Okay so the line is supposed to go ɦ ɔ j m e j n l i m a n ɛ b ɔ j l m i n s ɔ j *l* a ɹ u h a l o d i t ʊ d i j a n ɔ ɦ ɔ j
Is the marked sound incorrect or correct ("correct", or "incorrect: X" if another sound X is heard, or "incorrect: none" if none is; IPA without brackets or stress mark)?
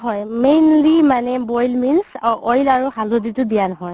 correct